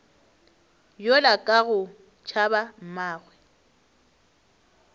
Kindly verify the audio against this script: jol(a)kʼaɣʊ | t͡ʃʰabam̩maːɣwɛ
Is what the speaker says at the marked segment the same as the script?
yes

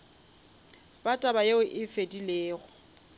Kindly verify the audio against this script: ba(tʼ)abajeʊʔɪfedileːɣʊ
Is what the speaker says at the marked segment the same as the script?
yes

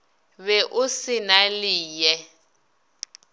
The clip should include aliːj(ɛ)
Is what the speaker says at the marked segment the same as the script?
yes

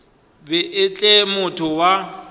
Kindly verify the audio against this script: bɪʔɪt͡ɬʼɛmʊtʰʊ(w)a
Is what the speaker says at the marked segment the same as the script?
yes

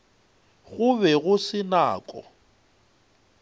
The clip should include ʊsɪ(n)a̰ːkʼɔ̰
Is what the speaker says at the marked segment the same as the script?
yes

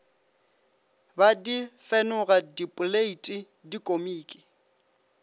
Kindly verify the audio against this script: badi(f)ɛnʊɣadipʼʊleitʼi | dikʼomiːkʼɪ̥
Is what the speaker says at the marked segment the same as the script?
yes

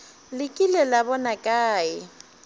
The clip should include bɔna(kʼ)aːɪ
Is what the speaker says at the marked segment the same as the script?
yes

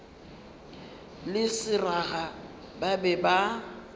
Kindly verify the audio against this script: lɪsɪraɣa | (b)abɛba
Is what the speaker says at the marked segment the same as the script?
yes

